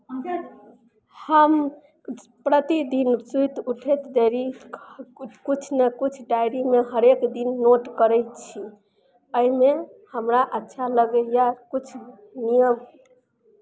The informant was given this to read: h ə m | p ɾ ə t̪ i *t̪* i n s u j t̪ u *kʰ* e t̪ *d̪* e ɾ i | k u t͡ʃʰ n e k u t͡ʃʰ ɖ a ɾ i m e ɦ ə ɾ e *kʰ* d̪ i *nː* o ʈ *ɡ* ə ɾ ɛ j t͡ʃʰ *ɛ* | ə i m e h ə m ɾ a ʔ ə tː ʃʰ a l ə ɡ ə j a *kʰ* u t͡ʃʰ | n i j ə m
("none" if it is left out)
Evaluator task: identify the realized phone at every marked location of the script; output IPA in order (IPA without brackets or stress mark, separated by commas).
d̪, ʈʰ, d̪, k, nː, k, i, k